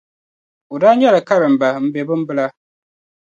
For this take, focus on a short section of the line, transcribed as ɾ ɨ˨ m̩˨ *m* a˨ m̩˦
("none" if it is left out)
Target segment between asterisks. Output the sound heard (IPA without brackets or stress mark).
b